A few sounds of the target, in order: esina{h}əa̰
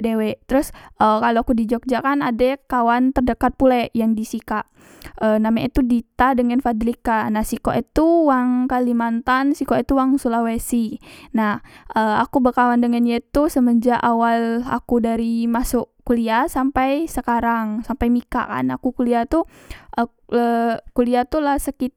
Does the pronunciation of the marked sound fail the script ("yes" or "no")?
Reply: no